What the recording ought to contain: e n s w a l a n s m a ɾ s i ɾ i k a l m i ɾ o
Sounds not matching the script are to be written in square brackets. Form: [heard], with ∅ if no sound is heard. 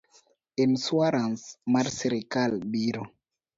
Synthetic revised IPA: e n s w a [ɾ] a n s m a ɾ s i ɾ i k a l [b] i ɾ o